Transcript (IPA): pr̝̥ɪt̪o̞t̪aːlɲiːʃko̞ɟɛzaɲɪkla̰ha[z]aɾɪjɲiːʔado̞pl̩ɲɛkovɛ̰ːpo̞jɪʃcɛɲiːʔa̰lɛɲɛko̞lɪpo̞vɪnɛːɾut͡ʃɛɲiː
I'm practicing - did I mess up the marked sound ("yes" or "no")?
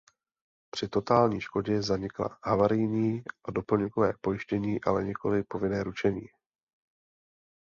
yes